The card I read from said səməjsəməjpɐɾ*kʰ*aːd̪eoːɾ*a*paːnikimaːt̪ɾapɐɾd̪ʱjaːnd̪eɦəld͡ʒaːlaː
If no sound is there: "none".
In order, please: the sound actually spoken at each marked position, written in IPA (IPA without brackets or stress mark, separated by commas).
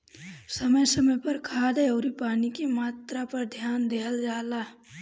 kʰ, i